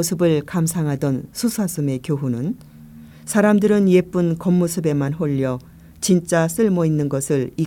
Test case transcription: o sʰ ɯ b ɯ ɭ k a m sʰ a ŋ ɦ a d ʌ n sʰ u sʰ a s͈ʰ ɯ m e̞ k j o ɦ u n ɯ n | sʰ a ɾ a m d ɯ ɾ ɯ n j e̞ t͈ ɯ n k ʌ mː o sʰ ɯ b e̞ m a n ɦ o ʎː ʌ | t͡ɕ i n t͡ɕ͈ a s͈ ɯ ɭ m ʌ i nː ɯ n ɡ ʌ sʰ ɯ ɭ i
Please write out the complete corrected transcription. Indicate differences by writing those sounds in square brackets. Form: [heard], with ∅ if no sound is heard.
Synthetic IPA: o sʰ ɯ b ɯ ɭ k a m sʰ a ŋ ɦ a d ʌ n sʰ u sʰ a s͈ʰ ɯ m e̞ k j o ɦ u n ɯ n | sʰ a ɾ a m d ɯ ɾ ɯ n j e̞ [p͈] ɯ n k ʌ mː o sʰ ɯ b e̞ m a n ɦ o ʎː ʌ | t͡ɕ i n t͡ɕ͈ a s͈ ɯ ɭ m ʌ i nː ɯ n ɡ ʌ sʰ ɯ ɭ i